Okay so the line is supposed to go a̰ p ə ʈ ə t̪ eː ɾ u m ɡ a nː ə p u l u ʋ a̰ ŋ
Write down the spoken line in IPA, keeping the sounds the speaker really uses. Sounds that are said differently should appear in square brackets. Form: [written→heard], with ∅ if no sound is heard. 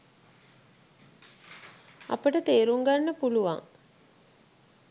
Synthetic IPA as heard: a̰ p ə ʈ ə t̪ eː ɾ u [m→ŋ] ɡ a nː ə p u l u ʋ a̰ ŋ